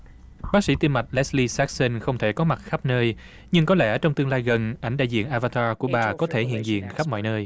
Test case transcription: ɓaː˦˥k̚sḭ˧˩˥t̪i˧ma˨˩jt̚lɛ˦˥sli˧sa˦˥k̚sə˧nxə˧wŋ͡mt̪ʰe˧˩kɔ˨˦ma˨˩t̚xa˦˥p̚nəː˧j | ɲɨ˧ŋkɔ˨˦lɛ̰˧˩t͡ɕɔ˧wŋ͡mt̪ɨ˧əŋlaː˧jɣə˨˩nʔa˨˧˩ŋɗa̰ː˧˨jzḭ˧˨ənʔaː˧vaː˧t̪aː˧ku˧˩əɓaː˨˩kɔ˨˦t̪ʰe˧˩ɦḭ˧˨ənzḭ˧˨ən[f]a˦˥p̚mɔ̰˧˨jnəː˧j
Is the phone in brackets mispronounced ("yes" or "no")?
yes